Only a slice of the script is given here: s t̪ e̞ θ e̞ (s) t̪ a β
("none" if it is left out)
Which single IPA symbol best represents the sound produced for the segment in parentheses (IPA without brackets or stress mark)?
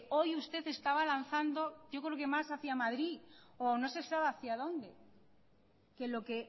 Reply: s